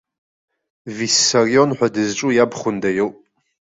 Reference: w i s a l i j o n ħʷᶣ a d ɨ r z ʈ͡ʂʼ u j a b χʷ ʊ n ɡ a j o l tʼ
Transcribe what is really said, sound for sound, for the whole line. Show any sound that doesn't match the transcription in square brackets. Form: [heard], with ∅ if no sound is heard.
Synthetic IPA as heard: [v] i s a [r] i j o n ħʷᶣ a d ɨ [∅] z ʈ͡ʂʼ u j a b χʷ ʊ n [d] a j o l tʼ

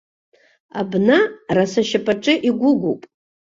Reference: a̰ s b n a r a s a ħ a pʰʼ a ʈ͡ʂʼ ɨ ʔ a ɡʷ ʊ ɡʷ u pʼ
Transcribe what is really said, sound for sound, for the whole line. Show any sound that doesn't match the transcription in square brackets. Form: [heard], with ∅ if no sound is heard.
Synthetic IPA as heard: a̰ [∅] b n a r a s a [ʃ] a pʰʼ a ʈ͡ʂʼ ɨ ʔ [i] ɡʷ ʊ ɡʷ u pʼ

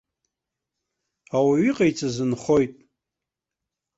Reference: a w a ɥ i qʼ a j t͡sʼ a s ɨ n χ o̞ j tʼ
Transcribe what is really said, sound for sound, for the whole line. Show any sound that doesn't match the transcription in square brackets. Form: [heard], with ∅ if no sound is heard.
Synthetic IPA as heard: a w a ɥ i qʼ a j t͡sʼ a [z] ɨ n χ o̞ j tʼ

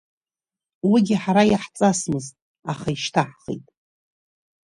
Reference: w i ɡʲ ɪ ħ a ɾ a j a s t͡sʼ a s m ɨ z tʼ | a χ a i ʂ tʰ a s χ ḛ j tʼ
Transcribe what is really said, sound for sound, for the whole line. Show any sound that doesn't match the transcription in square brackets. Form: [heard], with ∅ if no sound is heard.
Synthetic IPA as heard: w i ɡʲ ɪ ħ a ɾ a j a [ħ] t͡sʼ a s m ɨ z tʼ | a χ a i [ʃ] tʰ a [ħ] χ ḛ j tʼ

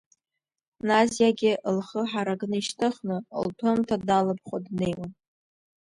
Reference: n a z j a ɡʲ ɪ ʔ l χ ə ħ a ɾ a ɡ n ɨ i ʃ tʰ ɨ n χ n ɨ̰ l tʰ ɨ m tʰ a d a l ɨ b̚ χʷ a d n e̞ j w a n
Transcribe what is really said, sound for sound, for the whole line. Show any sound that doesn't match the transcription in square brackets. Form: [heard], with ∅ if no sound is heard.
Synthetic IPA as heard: n a z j a ɡʲ ɪ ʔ l χ ə ħ a ɾ a ɡ n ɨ i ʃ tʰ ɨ [∅] χ n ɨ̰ l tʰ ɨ m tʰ a d a l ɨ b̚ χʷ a d n e̞ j w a n

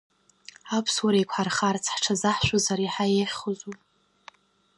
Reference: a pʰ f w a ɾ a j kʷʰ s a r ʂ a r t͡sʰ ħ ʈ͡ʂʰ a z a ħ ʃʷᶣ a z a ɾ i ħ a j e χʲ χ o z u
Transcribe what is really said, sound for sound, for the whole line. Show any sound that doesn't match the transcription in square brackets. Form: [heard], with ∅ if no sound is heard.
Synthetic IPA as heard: a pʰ [s] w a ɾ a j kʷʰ [ħ] a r [χ] a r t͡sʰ ħ ʈ͡ʂʰ a z a ħ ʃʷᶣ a z a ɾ i ħ a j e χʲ χ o z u

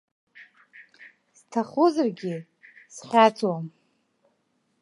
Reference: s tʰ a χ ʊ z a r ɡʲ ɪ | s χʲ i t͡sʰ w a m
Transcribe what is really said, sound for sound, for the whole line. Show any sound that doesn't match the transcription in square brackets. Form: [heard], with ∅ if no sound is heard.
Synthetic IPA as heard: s tʰ a χ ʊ z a r ɡʲ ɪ | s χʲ [a] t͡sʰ w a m

